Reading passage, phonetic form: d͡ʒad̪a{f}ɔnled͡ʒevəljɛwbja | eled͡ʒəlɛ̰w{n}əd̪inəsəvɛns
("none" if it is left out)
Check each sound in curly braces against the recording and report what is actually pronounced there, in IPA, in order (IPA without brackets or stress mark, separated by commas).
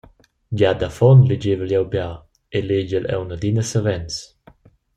f, n